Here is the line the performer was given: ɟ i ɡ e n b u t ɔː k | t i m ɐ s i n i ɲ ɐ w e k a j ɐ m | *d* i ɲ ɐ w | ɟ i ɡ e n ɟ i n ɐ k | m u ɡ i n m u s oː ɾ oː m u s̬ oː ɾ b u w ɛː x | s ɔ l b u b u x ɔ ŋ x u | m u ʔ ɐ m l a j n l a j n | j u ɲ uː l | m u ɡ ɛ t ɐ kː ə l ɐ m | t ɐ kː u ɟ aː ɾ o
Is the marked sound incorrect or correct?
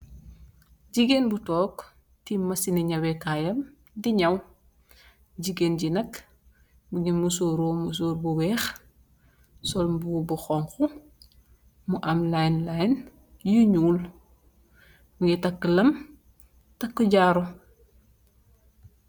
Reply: correct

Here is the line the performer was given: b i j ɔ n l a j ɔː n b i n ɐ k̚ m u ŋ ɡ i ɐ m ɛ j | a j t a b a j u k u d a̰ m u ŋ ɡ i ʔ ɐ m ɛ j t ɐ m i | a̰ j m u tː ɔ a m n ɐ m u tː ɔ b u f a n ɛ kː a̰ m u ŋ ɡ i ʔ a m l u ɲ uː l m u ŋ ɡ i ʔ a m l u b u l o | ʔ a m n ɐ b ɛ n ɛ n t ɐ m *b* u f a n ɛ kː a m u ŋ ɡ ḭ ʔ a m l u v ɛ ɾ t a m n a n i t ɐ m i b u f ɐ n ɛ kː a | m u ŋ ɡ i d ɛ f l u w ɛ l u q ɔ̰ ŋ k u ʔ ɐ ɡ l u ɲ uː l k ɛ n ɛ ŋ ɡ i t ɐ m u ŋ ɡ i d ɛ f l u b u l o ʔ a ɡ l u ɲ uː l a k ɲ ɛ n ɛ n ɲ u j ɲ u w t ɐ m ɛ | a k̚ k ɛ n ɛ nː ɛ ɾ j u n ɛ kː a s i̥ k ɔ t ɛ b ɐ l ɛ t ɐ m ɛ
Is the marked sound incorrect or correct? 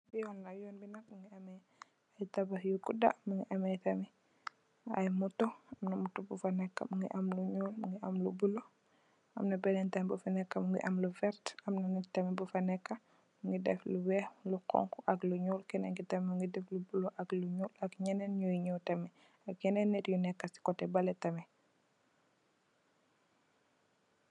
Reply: correct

